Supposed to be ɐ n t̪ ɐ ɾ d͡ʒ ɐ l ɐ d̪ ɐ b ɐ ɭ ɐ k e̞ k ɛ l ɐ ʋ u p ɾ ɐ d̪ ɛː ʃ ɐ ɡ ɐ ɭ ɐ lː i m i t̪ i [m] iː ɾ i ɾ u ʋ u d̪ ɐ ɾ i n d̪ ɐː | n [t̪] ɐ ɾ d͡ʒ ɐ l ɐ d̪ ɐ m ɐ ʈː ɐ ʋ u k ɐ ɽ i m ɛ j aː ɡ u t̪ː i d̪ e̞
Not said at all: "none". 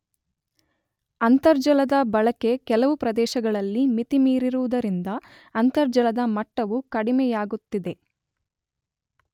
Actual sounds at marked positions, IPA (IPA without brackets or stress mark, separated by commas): m, t̪